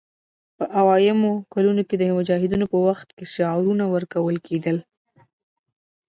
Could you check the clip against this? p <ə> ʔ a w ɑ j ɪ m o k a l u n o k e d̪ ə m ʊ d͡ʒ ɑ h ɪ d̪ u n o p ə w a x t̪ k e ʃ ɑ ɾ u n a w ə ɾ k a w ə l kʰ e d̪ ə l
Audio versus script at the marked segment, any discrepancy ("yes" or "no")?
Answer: no